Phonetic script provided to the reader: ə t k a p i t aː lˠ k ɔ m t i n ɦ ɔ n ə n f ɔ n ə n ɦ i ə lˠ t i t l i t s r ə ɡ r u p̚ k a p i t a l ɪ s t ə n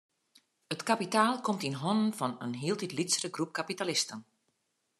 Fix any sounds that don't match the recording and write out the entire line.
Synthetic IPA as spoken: ə t k a p i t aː lˠ k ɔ m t i n ɦ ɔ n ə n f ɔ n ə n ɦ i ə lˠ t i t l i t s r ə ɡ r u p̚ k a p i t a l ɪ s t ə n